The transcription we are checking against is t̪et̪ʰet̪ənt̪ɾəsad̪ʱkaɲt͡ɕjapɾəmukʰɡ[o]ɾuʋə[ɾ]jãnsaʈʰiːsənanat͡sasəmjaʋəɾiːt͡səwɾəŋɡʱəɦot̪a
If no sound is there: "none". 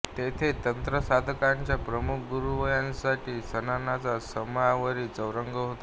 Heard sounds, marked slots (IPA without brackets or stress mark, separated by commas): u, none